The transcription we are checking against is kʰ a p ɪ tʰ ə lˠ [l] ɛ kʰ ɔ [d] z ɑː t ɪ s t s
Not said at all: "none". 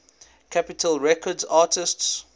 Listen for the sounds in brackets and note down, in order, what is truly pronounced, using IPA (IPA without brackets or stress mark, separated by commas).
ɹ, d